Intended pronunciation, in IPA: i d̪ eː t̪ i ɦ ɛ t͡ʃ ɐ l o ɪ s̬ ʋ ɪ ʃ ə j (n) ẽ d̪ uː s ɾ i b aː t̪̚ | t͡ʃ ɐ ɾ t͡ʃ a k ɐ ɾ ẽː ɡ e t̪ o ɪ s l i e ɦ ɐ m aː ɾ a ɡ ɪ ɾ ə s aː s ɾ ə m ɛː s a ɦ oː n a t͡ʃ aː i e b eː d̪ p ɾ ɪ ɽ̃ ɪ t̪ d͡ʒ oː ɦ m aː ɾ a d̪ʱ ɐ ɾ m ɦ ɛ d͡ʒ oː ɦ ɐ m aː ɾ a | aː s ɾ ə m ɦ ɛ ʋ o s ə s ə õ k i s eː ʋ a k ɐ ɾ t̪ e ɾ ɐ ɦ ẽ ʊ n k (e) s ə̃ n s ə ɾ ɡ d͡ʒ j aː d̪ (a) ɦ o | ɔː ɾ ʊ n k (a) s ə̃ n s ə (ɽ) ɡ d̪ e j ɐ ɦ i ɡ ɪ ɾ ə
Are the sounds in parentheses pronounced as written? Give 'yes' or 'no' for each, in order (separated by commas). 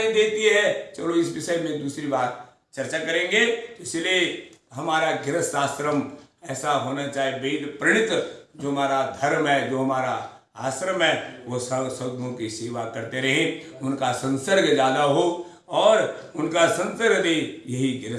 no, no, yes, yes, no